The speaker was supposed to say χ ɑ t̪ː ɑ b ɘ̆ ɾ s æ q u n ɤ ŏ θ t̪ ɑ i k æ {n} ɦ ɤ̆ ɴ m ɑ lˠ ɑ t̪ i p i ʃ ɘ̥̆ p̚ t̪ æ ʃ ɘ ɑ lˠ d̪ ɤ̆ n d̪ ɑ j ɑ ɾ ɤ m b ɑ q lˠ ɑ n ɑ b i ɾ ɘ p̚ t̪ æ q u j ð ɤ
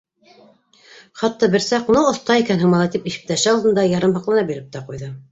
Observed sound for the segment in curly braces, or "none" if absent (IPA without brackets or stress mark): n